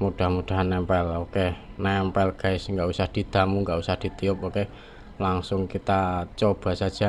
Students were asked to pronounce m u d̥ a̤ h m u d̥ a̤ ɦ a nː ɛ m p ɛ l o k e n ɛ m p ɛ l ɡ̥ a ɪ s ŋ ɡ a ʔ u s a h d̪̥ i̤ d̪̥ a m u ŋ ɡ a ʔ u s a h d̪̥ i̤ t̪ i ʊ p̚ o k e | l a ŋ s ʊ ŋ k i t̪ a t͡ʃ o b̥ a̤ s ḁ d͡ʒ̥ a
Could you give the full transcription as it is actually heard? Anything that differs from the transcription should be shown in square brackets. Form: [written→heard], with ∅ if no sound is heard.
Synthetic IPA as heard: m u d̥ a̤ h m u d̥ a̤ ɦ a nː ɛ m p ɛ l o k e n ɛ m p ɛ l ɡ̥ a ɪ s ŋ ɡ a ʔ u s a h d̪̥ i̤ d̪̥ a m u ŋ ɡ a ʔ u s a h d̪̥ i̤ t̪ i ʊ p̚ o k e | l a ŋ s ʊ ŋ k i t̪ a t͡ʃ o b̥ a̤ s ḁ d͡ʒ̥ a